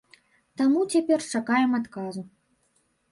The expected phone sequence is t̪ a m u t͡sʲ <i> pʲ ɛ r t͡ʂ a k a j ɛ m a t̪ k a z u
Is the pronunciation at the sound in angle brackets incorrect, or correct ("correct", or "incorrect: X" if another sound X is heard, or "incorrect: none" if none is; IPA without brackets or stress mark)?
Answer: incorrect: a